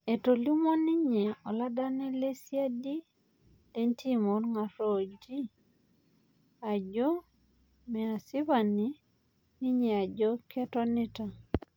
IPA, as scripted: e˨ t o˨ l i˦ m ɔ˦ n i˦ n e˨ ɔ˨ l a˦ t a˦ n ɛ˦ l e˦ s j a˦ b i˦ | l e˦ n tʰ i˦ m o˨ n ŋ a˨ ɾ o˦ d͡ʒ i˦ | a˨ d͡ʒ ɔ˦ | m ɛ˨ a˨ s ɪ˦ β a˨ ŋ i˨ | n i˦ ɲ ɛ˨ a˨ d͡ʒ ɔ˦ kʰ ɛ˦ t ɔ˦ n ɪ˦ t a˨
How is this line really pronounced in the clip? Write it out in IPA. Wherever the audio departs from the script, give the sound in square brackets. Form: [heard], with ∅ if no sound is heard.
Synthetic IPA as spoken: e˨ t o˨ l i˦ m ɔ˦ n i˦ [ɲ] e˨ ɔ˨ l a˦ [d] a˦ n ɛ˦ l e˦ s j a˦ [d] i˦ | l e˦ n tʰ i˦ m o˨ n ŋ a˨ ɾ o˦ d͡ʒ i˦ | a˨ d͡ʒ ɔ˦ | m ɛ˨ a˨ s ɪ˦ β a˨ [n] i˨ | n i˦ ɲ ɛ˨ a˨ d͡ʒ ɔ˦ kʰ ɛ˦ t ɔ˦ n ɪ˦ t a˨